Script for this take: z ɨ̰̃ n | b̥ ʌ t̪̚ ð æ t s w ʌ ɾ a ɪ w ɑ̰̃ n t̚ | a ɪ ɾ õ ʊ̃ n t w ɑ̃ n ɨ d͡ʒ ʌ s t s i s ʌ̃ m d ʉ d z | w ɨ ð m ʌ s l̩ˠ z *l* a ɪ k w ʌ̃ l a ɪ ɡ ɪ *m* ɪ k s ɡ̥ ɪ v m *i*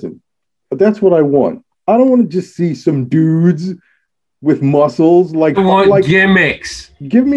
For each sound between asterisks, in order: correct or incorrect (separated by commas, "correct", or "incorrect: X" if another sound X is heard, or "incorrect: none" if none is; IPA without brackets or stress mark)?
correct, correct, correct